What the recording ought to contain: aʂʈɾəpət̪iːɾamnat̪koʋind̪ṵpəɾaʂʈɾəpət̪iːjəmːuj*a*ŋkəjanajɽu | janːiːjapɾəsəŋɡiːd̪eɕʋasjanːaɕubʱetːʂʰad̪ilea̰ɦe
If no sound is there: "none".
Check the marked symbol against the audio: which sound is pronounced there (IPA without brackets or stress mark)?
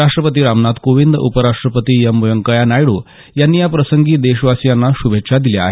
ə